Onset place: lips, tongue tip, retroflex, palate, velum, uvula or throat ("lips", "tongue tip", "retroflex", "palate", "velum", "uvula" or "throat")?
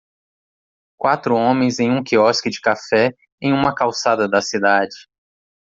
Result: velum